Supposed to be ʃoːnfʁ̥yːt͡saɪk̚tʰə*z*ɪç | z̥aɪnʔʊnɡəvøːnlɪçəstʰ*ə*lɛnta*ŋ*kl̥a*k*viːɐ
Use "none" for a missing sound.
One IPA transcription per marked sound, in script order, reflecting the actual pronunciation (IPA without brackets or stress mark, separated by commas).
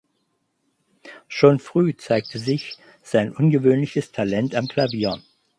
z, a, m, none